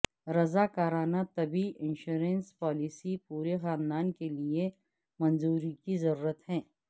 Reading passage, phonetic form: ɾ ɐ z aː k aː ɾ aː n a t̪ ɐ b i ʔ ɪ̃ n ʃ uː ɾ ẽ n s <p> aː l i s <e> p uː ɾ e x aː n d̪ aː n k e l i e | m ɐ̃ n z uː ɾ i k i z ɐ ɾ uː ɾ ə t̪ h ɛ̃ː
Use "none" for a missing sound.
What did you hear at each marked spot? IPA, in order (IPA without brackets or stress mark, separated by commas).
p, i